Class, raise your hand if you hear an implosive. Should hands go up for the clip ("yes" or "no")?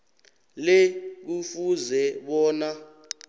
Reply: yes